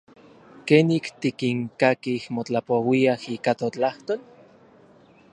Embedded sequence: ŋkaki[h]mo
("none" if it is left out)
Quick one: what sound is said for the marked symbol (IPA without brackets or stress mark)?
h